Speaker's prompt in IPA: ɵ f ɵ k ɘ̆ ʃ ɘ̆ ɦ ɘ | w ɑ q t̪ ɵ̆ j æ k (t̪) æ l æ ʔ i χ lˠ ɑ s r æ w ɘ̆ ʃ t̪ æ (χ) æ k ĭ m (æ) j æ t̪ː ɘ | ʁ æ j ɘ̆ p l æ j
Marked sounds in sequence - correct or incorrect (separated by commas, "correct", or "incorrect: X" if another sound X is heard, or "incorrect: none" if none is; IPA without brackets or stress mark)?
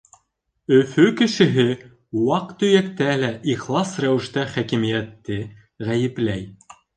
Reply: correct, correct, incorrect: i